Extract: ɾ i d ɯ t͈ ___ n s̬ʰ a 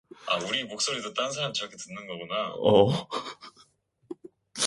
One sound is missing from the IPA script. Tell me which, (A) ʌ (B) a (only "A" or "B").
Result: B